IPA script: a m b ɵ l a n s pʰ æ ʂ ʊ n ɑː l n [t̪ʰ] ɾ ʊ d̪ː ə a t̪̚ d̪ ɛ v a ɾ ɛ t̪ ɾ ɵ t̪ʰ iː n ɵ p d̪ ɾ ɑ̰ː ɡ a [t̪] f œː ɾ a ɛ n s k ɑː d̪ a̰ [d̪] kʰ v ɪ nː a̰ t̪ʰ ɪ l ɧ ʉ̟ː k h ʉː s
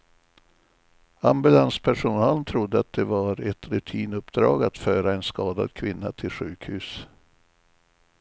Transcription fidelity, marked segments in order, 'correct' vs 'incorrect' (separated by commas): correct, correct, correct